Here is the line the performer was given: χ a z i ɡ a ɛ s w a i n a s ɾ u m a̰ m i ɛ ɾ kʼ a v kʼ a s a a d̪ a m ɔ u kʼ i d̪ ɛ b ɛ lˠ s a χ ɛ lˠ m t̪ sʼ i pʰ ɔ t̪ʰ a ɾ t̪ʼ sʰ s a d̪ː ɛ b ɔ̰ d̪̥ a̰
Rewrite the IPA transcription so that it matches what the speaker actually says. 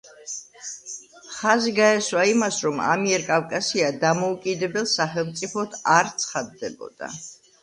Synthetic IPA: χ a z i ɡ a ɛ s w a i m a s ɾ ɔ m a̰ m i ɛ ɾ kʼ a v kʼ a s i a d̪ a m ɔ u kʼ i d̪ ɛ b ɛ lˠ s a χ ɛ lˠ m t̪ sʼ i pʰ ɔ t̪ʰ a ɾ t̪ sʰ χ a d̪ː ɛ b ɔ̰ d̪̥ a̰